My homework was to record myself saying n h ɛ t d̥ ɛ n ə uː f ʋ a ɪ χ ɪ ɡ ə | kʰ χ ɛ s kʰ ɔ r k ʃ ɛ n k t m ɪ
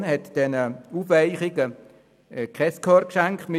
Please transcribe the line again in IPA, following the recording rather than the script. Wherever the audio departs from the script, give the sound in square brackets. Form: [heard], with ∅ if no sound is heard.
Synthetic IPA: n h ɛ t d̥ ɛ n ə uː f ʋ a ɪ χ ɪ ɡ ə | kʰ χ ɛ s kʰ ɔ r k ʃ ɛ [ŋ] k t m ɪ